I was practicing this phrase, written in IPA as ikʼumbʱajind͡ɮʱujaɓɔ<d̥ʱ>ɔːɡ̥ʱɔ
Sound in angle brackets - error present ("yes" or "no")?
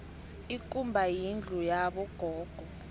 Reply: yes